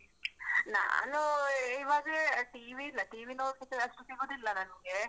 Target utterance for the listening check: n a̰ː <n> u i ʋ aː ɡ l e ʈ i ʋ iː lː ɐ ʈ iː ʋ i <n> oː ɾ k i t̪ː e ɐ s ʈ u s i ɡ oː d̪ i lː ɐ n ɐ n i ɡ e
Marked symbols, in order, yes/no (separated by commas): yes, yes